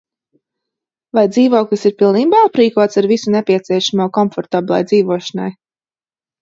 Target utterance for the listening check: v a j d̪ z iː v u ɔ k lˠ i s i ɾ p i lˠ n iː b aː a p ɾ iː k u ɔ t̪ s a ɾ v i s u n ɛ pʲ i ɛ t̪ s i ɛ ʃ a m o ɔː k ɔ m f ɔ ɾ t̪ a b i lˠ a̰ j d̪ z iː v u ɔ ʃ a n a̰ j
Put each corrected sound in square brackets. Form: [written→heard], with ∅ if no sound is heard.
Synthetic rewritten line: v a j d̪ z iː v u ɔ k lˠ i s i ɾ p i lˠ n iː b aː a p ɾ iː k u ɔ t̪ s a ɾ v i s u n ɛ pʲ i ɛ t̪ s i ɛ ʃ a m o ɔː k ɔ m f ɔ ɾ t̪ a b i lˠ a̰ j d̪ z iː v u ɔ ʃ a n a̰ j